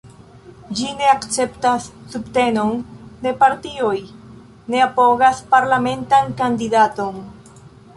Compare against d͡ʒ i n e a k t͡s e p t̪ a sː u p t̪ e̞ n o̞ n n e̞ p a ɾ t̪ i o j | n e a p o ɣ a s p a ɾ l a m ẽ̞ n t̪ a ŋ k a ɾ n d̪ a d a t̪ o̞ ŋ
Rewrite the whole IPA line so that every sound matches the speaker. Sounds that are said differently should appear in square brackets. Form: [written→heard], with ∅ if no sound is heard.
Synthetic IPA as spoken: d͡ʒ i n e a k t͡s e p t̪ a sː u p t̪ e̞ n o̞ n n e̞ p a ɾ t̪ i o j | n e a p o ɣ a s p a ɾ l a m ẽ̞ n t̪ a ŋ k a [ɾ→∅] n d̪ [a→i] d a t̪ o̞ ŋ